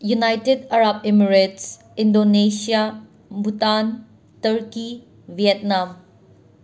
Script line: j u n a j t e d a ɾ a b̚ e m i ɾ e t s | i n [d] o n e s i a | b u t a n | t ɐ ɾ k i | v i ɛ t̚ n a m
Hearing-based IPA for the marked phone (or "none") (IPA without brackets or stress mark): d